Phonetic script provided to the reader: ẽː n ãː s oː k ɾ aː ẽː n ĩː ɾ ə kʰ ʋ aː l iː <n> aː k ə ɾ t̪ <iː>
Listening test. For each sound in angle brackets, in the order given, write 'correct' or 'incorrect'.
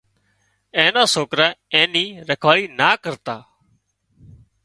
correct, incorrect: aː

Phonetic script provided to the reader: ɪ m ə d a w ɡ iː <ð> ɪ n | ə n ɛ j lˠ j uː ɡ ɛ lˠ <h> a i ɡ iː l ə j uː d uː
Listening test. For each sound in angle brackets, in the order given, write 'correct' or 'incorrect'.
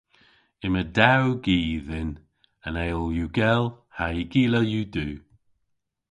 correct, correct

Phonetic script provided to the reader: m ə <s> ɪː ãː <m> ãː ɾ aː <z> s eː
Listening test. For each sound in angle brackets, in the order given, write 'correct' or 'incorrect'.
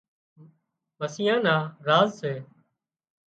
correct, incorrect: n, correct

